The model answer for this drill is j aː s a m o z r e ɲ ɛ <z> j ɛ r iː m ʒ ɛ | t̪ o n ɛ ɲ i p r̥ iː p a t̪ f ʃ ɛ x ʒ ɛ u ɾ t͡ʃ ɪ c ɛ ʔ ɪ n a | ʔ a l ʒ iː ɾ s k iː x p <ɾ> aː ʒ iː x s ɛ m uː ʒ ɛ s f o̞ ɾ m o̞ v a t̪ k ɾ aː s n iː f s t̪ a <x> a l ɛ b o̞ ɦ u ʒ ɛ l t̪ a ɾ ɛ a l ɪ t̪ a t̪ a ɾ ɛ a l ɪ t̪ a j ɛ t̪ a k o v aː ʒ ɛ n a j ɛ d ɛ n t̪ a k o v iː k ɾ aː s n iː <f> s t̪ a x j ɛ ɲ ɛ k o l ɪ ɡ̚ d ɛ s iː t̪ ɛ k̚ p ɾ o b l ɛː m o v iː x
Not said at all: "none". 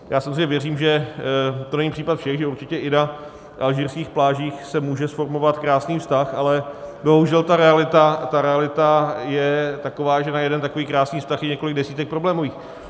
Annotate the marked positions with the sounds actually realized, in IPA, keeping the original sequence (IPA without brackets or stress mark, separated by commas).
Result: v, l, x, f